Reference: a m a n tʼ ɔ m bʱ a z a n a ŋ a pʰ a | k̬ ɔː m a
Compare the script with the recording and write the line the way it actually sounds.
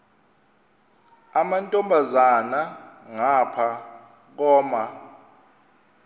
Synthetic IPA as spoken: a m a n tʼ ɔ m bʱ a z a n a ŋ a pʰ a | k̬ ɔː m a